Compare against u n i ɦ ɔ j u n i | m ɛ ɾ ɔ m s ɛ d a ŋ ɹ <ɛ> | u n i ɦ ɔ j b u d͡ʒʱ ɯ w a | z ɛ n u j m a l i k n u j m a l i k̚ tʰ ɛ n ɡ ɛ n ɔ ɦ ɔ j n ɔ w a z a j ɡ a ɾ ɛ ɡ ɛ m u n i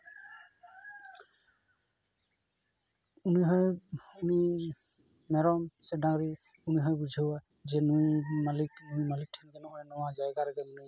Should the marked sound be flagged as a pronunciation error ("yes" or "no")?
yes